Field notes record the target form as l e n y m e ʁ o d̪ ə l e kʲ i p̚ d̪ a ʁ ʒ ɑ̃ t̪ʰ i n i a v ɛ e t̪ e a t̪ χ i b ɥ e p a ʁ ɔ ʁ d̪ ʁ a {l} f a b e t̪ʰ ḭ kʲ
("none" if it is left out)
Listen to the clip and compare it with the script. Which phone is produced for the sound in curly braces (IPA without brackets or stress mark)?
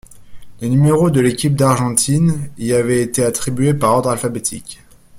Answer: l